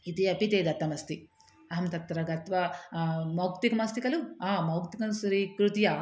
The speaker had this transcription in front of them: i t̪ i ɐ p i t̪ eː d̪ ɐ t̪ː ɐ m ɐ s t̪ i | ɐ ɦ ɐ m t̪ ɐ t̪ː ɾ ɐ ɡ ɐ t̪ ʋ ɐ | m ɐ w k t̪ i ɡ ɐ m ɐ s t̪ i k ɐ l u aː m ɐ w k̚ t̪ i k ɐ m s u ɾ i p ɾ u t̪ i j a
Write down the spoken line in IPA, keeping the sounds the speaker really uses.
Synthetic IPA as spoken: i t̪ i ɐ p i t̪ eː d̪ ɐ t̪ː ɐ m ɐ s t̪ i | ɐ ɦ ɐ m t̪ ɐ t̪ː ɾ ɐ ɡ ɐ t̪ ʋ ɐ | m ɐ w k t̪ i k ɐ m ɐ s t̪ i k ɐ l u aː m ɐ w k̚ t̪ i k ɐ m s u ɾ i k ɾ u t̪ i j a